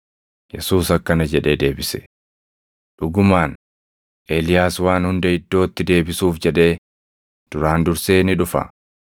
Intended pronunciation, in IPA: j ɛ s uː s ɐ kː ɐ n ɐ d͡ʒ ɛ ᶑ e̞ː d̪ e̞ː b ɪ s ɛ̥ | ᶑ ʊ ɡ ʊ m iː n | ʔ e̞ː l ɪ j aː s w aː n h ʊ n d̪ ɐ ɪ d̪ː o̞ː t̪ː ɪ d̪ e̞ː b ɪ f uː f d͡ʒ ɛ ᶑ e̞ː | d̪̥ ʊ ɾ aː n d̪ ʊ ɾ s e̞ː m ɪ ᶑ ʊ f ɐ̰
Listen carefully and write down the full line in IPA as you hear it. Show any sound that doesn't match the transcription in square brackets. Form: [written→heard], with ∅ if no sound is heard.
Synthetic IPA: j ɛ s uː s ɐ kː ɐ n ɐ d͡ʒ ɛ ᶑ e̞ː d̪ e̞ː b ɪ s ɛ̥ | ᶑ ʊ ɡ ʊ m [iː→aː] n | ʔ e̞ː l ɪ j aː s w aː n h ʊ n d̪ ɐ ɪ d̪ː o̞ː t̪ː ɪ d̪ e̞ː b ɪ [f→s] uː f d͡ʒ ɛ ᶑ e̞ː | d̪̥ ʊ ɾ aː n d̪ ʊ ɾ s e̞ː [m→n] ɪ ᶑ ʊ f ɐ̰

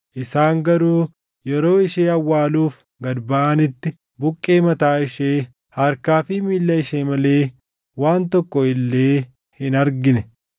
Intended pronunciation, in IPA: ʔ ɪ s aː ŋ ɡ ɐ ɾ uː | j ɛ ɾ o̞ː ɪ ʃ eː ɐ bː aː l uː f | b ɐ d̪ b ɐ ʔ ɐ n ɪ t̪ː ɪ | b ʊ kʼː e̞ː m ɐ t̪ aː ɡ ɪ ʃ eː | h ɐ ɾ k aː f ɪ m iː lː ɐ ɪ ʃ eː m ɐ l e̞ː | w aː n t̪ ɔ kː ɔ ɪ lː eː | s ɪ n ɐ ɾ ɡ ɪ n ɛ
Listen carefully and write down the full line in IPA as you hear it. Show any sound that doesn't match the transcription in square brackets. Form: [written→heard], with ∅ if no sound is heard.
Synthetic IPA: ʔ ɪ s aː ŋ ɡ ɐ ɾ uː | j ɛ ɾ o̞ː ɪ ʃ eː ɐ [bː→wː] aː l uː f | [b→ɡ] ɐ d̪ b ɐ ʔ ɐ n ɪ t̪ː ɪ | b ʊ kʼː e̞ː m ɐ t̪ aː [ɡ→∅] ɪ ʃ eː | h ɐ ɾ k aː f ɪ m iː lː ɐ ɪ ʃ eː m ɐ l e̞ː | w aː n t̪ ɔ kː ɔ ɪ lː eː | [s→h] ɪ n ɐ ɾ ɡ ɪ n ɛ

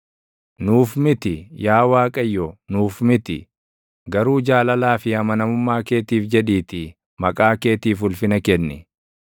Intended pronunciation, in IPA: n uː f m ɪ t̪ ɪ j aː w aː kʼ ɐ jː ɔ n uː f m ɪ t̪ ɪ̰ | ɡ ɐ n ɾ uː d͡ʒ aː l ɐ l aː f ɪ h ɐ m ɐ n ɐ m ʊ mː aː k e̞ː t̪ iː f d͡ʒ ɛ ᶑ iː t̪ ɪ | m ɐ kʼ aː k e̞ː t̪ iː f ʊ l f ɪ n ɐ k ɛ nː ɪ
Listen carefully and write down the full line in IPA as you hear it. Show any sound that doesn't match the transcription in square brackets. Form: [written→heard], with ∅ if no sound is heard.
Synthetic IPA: n uː f m ɪ t̪ ɪ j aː w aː kʼ ɐ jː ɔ n uː f m ɪ t̪ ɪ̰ | ɡ ɐ [n→∅] ɾ uː d͡ʒ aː l ɐ l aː f ɪ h ɐ m ɐ n ɐ m ʊ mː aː k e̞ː t̪ iː f d͡ʒ ɛ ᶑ iː t̪ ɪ | m ɐ kʼ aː k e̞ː t̪ iː f ʊ l f ɪ n ɐ k ɛ nː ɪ

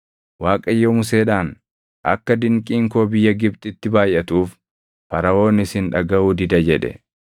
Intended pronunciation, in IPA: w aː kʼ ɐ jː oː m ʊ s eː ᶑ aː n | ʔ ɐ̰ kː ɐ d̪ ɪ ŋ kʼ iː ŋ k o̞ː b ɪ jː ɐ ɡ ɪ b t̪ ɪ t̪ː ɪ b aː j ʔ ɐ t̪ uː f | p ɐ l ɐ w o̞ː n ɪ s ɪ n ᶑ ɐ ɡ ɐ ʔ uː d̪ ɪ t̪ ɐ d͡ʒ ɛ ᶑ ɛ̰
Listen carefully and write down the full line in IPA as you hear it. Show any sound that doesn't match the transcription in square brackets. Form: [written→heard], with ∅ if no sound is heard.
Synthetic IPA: w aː kʼ ɐ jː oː m ʊ s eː ᶑ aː n | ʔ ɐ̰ kː ɐ d̪ ɪ ŋ kʼ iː ŋ k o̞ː b ɪ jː ɐ ɡ ɪ b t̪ ɪ t̪ː ɪ b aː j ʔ ɐ t̪ uː f | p ɐ [l→ɾ] ɐ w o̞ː n ɪ s ɪ n ᶑ ɐ ɡ ɐ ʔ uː d̪ ɪ [t̪→d̪] ɐ d͡ʒ ɛ ᶑ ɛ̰

